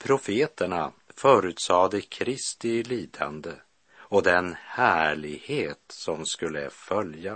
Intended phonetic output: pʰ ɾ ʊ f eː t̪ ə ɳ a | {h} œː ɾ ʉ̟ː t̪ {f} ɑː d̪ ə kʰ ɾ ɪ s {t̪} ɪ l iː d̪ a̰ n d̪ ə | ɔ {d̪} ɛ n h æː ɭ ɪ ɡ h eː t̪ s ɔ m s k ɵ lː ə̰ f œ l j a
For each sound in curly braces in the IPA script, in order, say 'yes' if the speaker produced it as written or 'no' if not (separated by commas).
no, no, yes, yes